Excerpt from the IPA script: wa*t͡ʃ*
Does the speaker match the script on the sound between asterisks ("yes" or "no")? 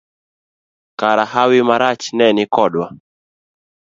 no